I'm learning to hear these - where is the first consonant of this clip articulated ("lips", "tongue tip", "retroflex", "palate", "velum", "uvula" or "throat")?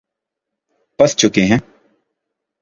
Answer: lips